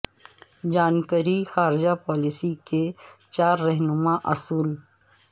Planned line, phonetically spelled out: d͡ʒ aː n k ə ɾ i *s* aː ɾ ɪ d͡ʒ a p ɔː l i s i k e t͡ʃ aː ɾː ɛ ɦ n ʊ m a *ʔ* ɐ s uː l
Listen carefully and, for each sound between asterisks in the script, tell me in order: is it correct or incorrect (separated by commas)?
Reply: incorrect, correct